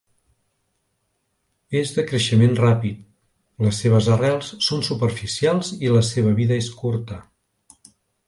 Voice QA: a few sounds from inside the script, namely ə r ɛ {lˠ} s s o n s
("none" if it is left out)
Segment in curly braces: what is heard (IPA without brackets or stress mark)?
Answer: lˠ